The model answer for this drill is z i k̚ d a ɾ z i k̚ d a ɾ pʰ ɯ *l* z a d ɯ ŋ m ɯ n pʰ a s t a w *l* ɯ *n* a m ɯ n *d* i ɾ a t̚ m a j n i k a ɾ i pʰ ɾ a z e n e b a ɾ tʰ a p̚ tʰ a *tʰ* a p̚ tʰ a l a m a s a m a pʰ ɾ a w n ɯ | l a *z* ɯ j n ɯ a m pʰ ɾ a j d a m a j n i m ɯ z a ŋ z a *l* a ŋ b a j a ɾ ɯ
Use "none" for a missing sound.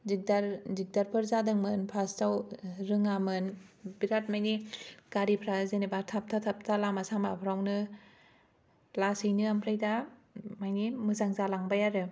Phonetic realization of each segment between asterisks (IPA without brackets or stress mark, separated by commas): ɾ, ɾ, ŋ, b, tʰ, s, l